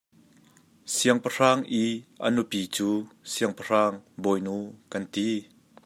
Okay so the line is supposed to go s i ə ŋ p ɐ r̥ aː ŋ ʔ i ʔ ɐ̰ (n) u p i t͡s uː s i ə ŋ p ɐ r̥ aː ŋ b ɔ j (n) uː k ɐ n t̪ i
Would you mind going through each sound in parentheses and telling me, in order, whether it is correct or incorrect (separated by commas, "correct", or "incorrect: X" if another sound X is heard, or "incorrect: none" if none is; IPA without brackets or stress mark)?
correct, correct